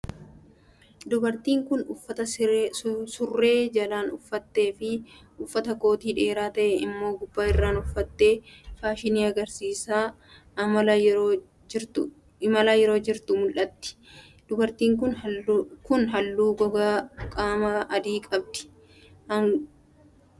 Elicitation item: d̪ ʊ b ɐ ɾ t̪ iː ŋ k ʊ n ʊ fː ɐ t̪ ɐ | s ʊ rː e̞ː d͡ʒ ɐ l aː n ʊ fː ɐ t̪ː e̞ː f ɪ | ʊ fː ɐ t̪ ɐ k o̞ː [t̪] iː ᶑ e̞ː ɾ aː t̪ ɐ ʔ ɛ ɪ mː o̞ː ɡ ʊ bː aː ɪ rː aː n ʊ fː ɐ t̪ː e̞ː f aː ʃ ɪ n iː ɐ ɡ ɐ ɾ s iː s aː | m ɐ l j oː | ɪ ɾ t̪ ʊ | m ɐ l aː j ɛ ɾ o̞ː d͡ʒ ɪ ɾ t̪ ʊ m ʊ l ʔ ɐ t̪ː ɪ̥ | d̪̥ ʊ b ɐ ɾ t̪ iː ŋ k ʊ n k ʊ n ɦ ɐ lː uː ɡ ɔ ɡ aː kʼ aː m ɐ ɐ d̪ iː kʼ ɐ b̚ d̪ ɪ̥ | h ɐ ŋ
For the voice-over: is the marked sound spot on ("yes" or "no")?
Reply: yes